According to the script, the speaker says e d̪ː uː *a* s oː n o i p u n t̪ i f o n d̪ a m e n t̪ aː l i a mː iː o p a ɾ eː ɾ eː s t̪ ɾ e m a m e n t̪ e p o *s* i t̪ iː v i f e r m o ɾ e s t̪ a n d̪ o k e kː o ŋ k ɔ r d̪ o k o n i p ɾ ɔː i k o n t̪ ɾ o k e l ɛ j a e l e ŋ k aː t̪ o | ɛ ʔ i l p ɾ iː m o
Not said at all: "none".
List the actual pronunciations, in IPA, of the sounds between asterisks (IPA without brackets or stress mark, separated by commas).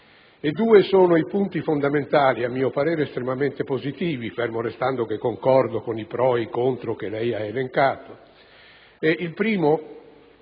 e, z